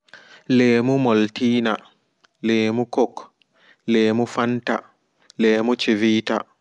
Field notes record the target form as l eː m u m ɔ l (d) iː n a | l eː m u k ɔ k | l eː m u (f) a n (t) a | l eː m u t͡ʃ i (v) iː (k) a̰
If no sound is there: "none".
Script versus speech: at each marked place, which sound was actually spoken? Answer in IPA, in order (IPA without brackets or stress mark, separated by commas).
t, f, t, v, t